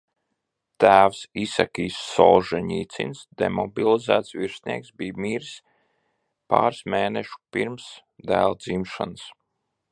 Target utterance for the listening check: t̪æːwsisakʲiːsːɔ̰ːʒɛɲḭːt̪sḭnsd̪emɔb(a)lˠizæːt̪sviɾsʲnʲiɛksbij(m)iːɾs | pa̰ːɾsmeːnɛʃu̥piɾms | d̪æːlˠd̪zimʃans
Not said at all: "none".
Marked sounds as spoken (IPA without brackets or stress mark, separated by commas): i, m